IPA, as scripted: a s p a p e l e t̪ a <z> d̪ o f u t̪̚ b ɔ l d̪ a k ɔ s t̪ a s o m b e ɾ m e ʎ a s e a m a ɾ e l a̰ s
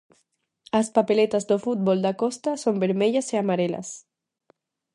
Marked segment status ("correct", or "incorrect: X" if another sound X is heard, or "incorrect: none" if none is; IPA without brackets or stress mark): correct